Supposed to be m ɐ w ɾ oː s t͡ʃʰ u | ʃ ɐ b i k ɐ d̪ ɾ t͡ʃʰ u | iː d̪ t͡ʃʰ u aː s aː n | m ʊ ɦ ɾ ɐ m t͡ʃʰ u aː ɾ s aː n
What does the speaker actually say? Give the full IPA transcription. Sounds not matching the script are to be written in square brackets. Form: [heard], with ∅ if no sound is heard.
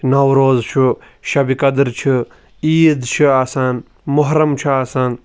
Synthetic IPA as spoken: [n] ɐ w ɾ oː [z] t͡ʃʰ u | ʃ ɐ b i k ɐ d̪ ɾ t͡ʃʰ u | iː d̪ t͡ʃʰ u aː s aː n | m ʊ ɦ ɾ ɐ m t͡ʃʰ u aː [∅] s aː n